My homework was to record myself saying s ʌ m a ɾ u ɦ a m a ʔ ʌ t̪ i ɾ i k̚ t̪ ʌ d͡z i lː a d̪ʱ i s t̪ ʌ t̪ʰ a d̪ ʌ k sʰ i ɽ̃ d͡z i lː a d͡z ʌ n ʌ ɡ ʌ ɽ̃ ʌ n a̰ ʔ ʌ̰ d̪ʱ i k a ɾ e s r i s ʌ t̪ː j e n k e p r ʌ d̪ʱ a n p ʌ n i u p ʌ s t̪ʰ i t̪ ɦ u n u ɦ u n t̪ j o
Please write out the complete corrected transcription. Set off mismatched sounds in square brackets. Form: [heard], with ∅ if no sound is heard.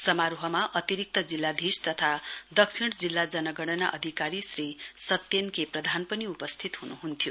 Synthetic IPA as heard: s ʌ m a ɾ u ɦ [ʌ] m a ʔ ʌ t̪ i ɾ i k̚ t̪ ʌ d͡z i lː a d̪ʱ i s t̪ ʌ t̪ʰ a d̪ ʌ k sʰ i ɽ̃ d͡z i lː a d͡z ʌ n ʌ ɡ ʌ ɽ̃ ʌ n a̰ ʔ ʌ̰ d̪ʱ i k a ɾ [i] s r i s ʌ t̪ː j e n k e p r ʌ d̪ʱ a n p ʌ n i u p ʌ s t̪ʰ i t̪ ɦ u n u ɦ u n [t̪ʰ] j o